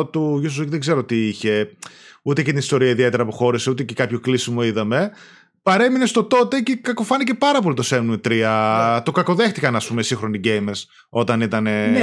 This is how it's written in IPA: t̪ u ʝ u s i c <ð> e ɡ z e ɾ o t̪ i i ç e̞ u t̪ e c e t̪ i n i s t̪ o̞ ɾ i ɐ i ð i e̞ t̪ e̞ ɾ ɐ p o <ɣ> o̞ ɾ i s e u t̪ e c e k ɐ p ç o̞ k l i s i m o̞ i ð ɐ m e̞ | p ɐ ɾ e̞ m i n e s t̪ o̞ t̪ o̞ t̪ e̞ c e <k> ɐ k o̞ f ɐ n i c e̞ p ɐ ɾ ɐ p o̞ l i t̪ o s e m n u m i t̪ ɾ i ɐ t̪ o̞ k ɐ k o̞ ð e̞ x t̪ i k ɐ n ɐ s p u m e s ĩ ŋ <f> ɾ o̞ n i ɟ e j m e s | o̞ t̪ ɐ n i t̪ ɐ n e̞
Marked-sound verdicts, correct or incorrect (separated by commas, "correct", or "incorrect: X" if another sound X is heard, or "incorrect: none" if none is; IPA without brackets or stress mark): correct, incorrect: x, correct, incorrect: x